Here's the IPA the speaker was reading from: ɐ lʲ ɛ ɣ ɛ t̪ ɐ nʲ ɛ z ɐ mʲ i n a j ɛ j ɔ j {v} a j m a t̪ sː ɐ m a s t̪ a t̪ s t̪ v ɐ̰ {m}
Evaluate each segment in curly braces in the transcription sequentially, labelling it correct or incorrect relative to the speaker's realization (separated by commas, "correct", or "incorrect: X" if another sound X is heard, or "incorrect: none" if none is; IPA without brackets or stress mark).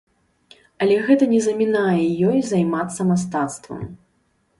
incorrect: z, correct